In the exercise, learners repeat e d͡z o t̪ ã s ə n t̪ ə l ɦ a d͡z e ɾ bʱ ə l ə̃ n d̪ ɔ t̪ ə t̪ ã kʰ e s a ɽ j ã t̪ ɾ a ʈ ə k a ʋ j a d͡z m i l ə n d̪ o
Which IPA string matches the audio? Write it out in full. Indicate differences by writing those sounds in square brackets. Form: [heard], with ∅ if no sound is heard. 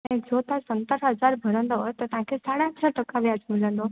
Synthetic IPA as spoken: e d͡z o t̪ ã s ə n t̪ ə [ɾ] ɦ [ə] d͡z [a] ɾ bʱ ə [ɾ] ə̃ n d̪ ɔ t̪ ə t̪ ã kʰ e s a ɽ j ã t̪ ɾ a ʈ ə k a ʋ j a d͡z m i l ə n d̪ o